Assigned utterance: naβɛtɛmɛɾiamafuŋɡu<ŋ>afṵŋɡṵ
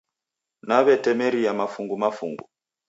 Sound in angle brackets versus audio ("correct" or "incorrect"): incorrect